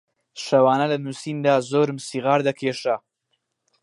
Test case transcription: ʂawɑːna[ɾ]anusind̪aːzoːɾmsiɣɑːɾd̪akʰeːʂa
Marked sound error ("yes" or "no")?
yes